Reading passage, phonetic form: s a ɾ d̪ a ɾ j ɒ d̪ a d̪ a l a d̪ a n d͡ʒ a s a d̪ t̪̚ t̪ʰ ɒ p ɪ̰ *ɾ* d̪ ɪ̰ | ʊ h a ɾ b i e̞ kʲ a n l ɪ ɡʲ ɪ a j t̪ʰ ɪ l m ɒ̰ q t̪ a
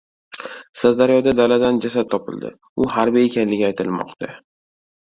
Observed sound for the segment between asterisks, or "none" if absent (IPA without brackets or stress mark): l